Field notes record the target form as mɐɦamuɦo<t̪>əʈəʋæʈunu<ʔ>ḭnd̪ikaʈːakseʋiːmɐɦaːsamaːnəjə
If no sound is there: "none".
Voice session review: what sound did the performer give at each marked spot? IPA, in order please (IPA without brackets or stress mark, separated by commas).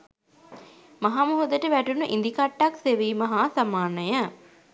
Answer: d̪, ʔ